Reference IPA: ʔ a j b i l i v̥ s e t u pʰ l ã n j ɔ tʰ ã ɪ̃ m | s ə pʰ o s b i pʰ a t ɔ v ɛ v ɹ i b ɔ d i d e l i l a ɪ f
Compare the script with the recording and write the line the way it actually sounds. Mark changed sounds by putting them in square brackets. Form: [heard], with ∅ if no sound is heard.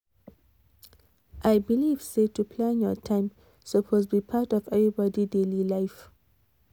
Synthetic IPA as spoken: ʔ a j b i l i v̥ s e t u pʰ l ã n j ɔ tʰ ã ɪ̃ m | s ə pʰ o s b i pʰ a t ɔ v ɛ v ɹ i b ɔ d i d e l i l a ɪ f

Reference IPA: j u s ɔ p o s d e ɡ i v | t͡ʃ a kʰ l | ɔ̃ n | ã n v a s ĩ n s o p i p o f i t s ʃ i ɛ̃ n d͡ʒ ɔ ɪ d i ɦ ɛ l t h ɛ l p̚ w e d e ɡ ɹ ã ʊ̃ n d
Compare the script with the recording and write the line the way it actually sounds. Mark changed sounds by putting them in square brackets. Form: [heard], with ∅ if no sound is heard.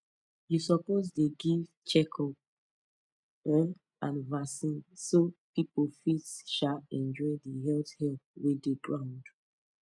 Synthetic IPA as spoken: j u s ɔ p o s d e ɡ i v | t͡ʃ [ɛ] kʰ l | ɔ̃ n | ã n v a s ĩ n s o p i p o f i t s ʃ [a] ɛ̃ n d͡ʒ ɔ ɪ d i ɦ ɛ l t h ɛ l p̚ w e d e ɡ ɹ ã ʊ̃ n d

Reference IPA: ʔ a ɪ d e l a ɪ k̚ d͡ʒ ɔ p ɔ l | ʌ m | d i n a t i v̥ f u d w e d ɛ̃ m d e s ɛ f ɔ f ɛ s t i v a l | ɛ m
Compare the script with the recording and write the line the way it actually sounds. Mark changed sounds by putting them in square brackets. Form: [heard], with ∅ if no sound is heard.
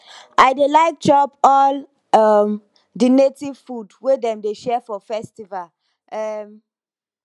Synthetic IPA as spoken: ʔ a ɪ d e l a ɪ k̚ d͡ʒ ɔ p ɔ l | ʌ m | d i n [e] t i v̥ f u d w e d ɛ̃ m d e [ʃ] ɛ f ɔ f ɛ s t i v a l | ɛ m

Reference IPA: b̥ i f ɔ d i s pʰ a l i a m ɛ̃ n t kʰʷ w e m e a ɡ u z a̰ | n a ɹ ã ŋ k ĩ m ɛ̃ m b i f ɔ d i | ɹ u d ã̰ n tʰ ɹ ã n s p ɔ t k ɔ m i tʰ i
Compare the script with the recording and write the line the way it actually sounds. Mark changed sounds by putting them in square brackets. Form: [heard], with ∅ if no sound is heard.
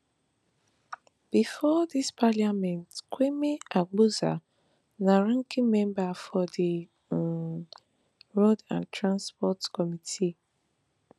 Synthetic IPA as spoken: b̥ i f ɔ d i s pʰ a l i a m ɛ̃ n t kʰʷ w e m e a [ɡ͡b] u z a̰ | n a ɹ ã ŋ k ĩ m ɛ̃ m b [a] f ɔ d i | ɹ [o] d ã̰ n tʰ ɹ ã n s p ɔ t k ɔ m i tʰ i

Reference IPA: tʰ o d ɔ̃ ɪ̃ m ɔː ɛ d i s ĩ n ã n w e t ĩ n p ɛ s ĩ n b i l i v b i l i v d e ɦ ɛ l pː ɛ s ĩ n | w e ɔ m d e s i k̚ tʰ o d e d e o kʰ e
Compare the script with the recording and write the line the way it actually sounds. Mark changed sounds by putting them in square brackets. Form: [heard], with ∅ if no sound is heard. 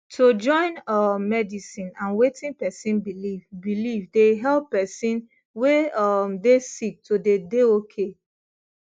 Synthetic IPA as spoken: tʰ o [d͡ʒ] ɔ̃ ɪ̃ [n] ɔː ɛ d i s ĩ n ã n w e t ĩ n p ɛ s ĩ n b i l i v b i l i v d e ɦ ɛ l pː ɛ s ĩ n | w e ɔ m d e s i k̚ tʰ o d e d e o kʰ e

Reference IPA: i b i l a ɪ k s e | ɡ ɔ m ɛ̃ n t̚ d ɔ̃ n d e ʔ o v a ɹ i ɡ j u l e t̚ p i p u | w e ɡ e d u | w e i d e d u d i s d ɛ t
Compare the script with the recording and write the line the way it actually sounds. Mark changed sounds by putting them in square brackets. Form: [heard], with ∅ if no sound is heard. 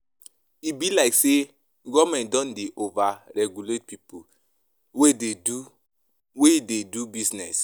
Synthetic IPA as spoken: i b i l a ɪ k s e | ɡ ɔ m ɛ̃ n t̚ d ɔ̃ n d e ʔ o v a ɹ [ɛ] ɡ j u l e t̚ p i p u | w e [d] e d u | w e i d e d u [b] i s [n] ɛ [s]

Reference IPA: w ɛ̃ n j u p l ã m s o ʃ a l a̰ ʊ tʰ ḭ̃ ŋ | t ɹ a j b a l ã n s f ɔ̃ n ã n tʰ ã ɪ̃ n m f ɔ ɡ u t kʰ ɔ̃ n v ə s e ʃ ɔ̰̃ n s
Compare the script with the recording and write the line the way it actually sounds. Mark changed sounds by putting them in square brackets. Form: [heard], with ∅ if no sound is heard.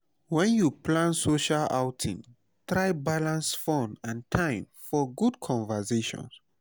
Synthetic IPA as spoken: w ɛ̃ n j u p l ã [n] s o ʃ a l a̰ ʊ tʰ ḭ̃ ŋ | t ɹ a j b a l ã n s f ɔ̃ n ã n tʰ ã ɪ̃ [∅] m f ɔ ɡ u [d] kʰ ɔ̃ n v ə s e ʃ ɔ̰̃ n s

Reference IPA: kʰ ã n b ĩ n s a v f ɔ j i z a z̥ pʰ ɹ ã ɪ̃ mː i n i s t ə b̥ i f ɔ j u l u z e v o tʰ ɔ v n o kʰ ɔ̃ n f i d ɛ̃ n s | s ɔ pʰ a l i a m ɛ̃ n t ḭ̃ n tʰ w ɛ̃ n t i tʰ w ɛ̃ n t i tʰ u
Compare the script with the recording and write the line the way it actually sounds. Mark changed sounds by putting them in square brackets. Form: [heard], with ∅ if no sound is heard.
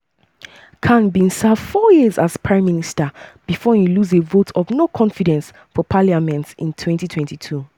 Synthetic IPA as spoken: kʰ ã n b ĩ n s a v f ɔ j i z a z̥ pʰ ɹ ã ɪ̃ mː i n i s t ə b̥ i f ɔ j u l u z e v o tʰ ɔ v n o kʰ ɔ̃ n f i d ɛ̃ n s | [f] ɔ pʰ a l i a m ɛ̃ n t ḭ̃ n tʰ w ɛ̃ n t i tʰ w ɛ̃ n t i tʰ u

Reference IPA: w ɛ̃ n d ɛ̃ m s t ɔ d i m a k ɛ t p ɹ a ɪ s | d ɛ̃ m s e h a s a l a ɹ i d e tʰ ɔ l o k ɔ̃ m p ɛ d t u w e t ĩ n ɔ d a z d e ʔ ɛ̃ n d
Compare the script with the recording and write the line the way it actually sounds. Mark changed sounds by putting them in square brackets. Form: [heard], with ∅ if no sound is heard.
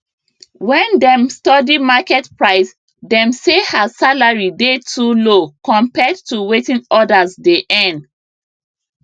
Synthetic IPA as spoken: w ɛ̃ n d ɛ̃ m s t ɔ d i m a k ɛ t p ɹ a ɪ s | d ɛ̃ m s e h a s a l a ɹ i d e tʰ [u] l o k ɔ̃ m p ɛ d t u w e t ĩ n ɔ d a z d e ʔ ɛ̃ n d

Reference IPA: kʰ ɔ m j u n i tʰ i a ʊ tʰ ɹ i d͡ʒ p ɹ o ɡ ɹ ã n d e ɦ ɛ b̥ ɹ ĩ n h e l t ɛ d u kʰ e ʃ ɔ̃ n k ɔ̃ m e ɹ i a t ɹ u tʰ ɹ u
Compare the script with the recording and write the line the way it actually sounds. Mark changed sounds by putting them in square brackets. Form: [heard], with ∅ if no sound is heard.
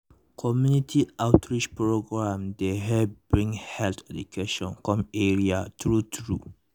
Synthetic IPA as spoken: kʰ ɔ m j u n i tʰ i a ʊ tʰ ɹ i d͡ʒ p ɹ o ɡ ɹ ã [m] d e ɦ ɛ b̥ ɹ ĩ [ŋ] h [ɛ] l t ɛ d u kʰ e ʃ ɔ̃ n k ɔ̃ m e ɹ i a t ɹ u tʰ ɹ u

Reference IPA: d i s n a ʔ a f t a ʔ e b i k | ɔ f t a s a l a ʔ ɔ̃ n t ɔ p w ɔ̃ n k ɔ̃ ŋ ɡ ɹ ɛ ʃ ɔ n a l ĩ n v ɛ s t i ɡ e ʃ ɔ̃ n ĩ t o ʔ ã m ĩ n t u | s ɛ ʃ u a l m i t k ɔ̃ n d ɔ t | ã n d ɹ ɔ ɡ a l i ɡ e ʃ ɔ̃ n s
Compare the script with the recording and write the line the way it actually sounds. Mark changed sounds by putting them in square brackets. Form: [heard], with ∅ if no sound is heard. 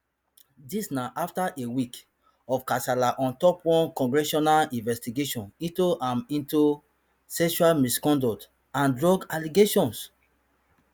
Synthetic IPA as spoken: d i s n a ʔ a f t a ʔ e [w] i k | ɔ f [k] a s a l a ʔ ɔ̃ n t ɔ p w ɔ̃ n k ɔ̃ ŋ ɡ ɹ ɛ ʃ ɔ n a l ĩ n v ɛ s t i ɡ e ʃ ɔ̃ n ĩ t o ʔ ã m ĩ n t u | s ɛ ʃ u a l m i [s] k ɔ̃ n d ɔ t | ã n d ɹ ɔ ɡ a l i ɡ e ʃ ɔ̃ n s

